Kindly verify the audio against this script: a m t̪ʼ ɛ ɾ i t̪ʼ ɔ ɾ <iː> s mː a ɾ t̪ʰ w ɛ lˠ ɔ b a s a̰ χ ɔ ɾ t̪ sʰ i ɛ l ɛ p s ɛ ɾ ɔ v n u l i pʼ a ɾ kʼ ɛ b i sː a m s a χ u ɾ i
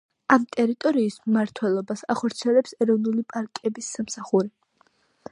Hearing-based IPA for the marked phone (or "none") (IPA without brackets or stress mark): iː